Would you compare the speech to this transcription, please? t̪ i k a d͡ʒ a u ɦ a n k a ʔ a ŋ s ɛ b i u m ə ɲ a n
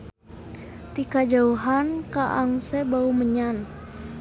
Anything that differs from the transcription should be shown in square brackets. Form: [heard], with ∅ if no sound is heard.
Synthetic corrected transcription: t̪ i k a d͡ʒ a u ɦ a n k a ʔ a ŋ s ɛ b [a] u m ə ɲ a n